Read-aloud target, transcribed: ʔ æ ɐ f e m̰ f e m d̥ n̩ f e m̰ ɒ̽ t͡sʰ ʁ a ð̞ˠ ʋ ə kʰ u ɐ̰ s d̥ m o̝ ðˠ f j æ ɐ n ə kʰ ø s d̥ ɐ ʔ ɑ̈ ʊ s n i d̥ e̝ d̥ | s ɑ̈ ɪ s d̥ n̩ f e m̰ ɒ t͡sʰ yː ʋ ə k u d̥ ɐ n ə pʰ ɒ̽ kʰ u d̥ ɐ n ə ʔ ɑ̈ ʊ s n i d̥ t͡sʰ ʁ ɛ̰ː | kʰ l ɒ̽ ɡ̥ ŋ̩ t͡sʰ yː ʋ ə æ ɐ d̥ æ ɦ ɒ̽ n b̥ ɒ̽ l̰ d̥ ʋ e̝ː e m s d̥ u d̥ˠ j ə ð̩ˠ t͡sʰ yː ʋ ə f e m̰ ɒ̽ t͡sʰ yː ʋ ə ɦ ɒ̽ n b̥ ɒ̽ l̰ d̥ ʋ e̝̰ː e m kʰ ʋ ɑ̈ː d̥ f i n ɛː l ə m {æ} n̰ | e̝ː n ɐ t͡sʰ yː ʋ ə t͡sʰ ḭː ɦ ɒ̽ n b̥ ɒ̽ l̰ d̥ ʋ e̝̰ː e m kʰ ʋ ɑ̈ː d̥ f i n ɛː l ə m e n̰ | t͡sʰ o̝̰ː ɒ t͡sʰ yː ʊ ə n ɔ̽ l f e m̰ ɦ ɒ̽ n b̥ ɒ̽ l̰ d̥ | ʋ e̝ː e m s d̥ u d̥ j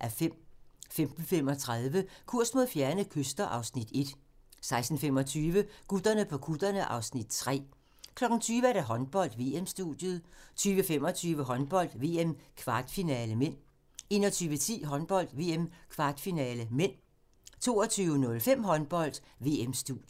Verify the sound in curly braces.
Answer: incorrect: e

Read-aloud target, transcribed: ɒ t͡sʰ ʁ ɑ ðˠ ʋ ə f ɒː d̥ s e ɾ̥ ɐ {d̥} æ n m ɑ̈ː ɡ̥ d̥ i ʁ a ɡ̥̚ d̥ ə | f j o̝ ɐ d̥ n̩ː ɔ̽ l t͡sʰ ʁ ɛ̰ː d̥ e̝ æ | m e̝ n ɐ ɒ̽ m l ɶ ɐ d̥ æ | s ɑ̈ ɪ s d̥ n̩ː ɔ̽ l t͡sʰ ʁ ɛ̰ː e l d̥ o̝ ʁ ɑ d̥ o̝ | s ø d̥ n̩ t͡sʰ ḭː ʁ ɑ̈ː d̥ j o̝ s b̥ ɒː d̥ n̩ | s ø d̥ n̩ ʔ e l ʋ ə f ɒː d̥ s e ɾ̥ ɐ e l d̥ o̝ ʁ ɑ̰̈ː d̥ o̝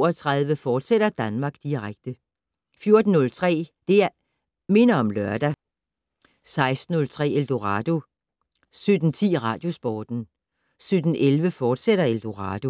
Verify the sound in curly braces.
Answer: correct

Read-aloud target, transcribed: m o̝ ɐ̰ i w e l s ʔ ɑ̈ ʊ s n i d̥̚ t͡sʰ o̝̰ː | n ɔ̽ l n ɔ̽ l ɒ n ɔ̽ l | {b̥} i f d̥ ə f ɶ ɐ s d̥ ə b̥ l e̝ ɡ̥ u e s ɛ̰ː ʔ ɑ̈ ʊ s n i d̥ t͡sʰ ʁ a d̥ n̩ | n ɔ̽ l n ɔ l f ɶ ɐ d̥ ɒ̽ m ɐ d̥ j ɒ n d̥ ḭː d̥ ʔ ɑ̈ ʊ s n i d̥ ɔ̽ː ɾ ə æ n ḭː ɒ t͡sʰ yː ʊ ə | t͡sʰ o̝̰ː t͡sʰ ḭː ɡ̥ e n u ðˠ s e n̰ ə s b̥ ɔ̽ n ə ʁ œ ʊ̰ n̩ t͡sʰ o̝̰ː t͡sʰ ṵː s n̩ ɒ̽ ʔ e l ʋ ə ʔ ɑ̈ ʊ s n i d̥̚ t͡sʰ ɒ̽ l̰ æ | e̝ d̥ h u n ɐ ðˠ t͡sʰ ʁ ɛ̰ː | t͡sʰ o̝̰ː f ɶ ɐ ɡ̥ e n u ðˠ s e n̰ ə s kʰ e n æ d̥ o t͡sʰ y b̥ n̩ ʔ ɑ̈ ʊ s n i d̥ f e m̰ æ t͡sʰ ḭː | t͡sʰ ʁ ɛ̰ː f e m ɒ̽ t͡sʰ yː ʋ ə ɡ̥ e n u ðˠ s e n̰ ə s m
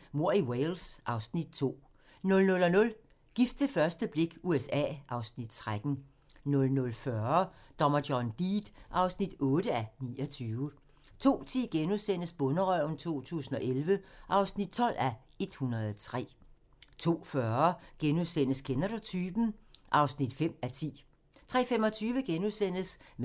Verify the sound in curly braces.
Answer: incorrect: ɡ̥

